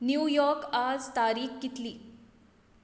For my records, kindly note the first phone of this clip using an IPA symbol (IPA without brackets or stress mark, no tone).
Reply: n